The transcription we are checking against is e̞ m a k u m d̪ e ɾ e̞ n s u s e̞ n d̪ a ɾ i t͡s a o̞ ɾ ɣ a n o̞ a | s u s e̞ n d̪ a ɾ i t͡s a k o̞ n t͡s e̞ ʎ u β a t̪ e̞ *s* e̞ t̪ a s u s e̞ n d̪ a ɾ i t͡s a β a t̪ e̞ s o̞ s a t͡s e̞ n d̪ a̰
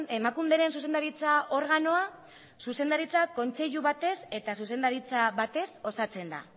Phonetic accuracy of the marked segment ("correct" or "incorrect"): correct